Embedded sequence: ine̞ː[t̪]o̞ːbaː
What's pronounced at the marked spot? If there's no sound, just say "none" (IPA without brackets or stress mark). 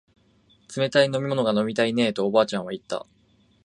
t̪